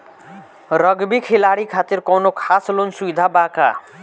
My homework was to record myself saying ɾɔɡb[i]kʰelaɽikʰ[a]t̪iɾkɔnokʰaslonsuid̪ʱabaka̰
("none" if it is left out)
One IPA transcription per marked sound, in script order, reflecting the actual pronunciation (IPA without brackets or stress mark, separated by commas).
i, a